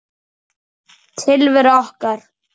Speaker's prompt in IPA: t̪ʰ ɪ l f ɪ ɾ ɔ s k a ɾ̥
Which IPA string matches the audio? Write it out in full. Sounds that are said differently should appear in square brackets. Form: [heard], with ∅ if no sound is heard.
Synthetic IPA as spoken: t̪ʰ ɪ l [v] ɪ ɾ ɔ [h] k a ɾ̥